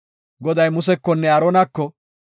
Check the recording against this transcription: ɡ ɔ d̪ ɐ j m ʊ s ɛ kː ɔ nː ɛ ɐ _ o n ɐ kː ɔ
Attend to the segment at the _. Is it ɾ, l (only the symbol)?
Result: ɾ